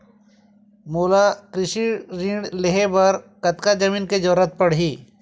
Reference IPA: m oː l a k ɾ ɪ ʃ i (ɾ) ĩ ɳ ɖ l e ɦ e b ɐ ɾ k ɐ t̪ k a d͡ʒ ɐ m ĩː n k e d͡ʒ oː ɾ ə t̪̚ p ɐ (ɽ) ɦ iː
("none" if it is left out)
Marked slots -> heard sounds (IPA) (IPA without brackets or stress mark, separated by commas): ɾ, ɽ